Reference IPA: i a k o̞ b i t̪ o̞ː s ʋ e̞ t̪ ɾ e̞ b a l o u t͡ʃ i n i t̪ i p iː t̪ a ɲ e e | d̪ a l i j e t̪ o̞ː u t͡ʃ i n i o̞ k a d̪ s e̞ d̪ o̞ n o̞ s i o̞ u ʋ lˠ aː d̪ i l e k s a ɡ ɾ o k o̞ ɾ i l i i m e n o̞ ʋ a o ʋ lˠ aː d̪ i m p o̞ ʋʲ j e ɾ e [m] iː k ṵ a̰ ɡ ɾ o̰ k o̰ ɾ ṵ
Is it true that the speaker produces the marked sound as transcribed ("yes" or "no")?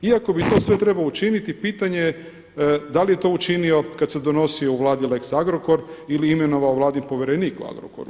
no